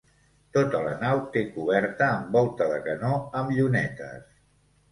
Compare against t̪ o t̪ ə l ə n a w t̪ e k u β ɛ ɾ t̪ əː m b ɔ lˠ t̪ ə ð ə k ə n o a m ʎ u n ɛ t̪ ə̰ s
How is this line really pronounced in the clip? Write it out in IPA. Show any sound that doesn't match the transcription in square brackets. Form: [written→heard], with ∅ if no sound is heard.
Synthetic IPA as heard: t̪ o t̪ ə l ə n a w t̪ e k u β ɛ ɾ t̪ əː m b ɔ lˠ t̪ ə ð ə k ə n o [a→ə] m ʎ u n ɛ t̪ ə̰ s